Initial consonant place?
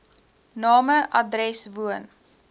alveolar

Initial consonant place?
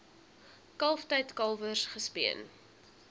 velar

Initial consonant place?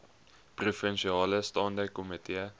labial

